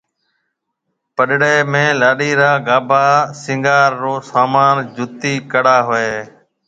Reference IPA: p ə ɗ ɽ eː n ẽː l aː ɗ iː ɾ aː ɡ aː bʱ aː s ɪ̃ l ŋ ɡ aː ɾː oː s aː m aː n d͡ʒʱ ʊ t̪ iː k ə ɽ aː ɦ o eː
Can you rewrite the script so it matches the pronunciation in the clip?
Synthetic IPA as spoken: p ə ɗ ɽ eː m ẽː l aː ɗ iː ɾ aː ɡ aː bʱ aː s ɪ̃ ŋ ɡ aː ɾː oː s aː m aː n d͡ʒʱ ʊ t̪ iː k ə ɽ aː ɦ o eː